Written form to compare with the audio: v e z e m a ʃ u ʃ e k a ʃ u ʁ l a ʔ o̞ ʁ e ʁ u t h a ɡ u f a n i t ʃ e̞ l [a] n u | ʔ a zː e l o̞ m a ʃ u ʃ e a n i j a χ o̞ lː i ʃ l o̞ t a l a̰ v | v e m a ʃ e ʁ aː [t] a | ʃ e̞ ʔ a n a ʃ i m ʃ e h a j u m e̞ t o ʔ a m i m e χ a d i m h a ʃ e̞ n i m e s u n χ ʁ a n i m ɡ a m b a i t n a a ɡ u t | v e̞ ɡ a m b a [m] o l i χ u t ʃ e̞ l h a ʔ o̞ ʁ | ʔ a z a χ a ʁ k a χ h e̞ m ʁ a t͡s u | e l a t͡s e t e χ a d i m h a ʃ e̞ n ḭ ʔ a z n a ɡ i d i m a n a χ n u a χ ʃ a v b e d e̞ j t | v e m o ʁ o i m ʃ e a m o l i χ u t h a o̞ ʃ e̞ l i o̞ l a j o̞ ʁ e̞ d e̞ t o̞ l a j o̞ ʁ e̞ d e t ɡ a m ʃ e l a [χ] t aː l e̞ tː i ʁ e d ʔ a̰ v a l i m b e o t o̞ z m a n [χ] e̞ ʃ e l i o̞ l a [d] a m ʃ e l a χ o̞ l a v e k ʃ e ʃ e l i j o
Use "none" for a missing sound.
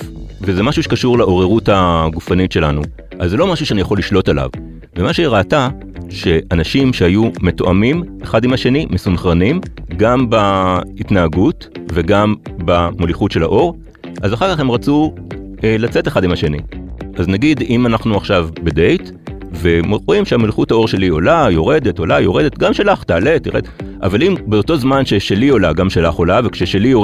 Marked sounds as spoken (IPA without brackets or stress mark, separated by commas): a, t, m, χ, ʃ, ɡ